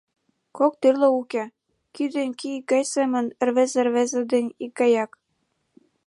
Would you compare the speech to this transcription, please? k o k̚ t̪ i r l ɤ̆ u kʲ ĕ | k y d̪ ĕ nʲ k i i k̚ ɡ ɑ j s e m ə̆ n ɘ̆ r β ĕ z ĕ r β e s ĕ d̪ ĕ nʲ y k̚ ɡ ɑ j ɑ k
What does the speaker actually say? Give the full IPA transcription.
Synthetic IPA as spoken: k o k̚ t̪ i r l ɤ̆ u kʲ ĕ | k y d̪ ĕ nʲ k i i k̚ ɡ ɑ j s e m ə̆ n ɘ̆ r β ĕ z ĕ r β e z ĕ d̪ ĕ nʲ i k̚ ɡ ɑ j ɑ k